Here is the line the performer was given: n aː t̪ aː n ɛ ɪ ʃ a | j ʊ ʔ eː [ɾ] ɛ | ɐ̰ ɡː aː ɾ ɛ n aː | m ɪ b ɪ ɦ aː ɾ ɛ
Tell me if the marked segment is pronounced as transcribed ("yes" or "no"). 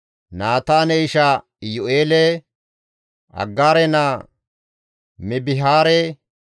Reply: no